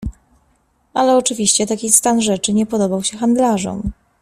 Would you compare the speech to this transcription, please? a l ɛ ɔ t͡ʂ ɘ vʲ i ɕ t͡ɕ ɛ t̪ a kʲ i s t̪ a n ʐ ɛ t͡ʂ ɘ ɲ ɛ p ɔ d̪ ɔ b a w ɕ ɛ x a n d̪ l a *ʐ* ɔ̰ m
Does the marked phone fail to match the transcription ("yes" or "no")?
no